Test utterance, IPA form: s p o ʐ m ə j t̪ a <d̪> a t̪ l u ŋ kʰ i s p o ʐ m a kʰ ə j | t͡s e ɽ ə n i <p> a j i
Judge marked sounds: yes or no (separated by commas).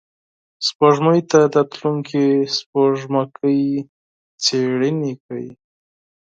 yes, no